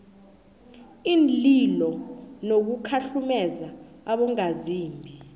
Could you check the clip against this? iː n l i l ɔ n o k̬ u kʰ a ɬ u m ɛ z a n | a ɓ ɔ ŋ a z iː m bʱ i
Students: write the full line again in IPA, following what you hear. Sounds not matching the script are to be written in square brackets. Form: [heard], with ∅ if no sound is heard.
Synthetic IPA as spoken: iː n l i l ɔ n o k̬ u kʰ a ɬ u m ɛ z a [∅] | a ɓ ɔ ŋ a z iː m bʱ i